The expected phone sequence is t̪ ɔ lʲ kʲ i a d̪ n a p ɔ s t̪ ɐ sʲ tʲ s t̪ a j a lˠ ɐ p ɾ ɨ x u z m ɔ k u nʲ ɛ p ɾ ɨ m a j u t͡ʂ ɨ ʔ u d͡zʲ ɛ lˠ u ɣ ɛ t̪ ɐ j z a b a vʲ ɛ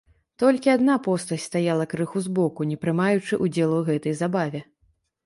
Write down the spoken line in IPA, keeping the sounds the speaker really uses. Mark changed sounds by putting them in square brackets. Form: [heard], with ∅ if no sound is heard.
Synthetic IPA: t̪ ɔ lʲ kʲ i a d̪ n a p ɔ s t̪ ɐ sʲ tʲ s t̪ a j a lˠ ɐ [k] ɾ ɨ x u z [b] ɔ k u nʲ ɛ p ɾ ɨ m a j u t͡ʂ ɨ ʔ u d͡zʲ ɛ lˠ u ɣ ɛ t̪ ɐ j z a b a vʲ ɛ